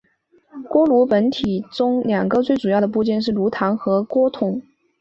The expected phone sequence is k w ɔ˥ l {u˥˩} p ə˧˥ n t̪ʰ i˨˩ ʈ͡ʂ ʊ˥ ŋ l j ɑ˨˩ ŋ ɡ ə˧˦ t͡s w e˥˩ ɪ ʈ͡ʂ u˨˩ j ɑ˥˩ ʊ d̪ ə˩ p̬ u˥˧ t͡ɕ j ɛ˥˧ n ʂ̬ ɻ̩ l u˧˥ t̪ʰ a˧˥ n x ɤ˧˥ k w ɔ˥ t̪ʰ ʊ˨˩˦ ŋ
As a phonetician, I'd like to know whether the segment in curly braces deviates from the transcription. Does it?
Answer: yes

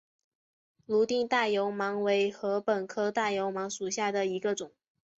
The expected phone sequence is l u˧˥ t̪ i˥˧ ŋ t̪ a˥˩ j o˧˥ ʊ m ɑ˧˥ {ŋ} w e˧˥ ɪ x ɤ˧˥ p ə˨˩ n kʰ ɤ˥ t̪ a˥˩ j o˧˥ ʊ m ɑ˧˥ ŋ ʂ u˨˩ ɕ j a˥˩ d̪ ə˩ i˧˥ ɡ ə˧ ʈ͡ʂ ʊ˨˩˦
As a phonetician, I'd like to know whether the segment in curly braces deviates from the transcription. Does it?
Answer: no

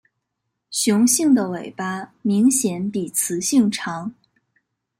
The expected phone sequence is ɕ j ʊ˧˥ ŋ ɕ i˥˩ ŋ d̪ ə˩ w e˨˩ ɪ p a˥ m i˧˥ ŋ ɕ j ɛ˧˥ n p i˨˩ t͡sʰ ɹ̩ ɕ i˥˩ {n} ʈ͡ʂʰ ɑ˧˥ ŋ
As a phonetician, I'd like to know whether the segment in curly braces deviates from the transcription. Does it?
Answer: yes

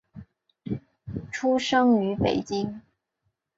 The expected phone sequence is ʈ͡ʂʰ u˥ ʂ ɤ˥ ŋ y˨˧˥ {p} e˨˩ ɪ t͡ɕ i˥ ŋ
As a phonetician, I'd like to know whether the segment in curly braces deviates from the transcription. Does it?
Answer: no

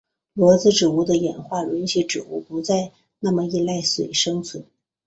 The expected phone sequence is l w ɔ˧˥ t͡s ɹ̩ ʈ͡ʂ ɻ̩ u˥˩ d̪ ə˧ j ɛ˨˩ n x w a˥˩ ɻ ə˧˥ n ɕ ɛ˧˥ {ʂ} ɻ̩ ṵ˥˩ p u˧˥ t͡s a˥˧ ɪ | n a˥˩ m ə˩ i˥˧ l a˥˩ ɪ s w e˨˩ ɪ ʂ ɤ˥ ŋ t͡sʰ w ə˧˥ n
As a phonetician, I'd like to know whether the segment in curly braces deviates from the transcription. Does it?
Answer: yes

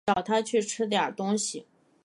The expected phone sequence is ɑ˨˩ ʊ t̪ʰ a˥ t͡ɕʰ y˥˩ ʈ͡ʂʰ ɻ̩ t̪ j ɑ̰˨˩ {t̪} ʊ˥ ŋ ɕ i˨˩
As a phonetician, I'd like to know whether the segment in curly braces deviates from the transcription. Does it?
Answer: no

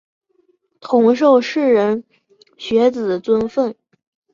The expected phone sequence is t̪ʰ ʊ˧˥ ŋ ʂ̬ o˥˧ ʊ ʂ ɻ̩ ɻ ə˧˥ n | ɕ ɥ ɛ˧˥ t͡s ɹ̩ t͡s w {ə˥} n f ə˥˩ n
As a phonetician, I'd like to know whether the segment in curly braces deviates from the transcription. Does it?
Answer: no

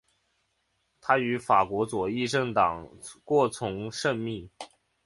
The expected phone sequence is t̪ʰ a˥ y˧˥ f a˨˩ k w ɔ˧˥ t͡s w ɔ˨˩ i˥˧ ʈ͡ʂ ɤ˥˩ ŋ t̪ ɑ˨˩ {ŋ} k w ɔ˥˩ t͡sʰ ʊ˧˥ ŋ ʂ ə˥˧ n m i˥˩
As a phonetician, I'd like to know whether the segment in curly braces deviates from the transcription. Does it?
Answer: no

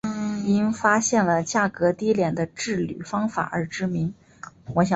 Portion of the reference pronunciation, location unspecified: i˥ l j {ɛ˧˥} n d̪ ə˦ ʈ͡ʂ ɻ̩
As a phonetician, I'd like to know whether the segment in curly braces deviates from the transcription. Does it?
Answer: yes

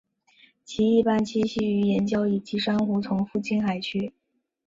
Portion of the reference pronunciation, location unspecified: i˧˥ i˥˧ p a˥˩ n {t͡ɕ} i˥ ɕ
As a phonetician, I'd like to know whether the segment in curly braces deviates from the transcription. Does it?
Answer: yes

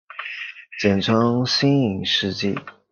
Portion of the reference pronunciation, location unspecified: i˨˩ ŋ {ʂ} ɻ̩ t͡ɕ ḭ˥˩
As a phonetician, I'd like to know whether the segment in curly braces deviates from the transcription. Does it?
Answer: no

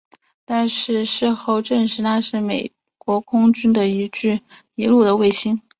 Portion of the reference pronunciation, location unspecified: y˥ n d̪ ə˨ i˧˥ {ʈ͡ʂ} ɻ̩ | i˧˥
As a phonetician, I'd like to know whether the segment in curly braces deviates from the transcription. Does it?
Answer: no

